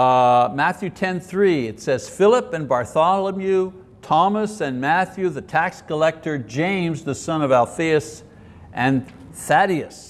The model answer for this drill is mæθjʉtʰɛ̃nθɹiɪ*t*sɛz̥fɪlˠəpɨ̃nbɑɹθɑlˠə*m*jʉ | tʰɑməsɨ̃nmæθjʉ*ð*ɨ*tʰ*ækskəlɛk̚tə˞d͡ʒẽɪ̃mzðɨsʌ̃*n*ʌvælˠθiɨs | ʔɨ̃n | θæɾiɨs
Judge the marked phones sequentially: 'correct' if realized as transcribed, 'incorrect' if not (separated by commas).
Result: correct, correct, correct, correct, correct